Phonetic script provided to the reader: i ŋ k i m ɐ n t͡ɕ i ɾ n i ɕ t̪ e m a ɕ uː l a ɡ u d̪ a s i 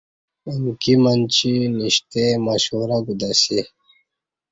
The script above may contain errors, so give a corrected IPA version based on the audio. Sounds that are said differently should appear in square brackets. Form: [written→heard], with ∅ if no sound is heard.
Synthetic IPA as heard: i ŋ k i m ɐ n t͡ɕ i [ɾ→∅] n i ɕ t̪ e m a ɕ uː [l→ɾ] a ɡ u d̪ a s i